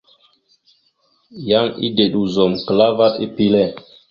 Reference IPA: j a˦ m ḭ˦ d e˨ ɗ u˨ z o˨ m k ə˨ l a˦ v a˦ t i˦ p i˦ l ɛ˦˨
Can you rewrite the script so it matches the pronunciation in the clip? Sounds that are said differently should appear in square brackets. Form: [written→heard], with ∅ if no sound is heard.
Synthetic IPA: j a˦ [m→ŋ] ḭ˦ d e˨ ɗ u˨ z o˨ m k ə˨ l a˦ v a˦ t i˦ p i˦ l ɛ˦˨